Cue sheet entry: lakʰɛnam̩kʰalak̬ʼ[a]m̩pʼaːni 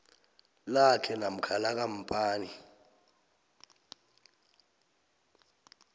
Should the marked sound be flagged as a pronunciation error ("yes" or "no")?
no